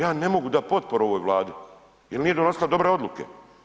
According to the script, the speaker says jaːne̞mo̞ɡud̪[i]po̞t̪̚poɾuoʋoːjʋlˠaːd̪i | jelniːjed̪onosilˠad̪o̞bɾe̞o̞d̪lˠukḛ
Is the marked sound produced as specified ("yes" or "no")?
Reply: no